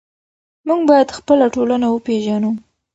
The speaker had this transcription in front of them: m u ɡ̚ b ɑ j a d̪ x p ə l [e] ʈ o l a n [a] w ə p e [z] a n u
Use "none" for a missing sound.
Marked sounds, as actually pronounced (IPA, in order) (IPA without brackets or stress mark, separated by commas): a, a, ʒ